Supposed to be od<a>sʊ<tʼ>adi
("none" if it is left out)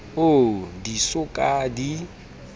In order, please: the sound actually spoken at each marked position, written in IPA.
i, kʼ

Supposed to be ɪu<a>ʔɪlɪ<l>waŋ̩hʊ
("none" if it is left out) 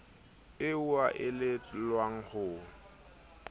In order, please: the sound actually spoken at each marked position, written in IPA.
a, l

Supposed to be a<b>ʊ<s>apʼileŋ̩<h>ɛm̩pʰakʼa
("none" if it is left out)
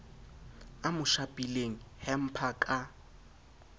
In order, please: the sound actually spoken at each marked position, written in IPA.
m, ʃ, h

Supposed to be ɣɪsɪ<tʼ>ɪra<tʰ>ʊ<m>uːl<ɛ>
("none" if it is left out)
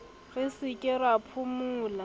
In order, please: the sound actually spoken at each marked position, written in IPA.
kʼ, pʰ, m, a

